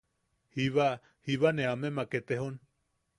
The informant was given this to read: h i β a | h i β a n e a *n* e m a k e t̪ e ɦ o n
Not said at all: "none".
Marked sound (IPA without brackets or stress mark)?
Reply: m